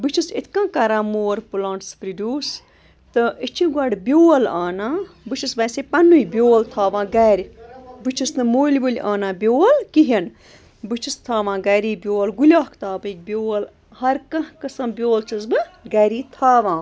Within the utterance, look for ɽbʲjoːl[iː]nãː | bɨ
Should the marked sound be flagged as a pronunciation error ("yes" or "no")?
yes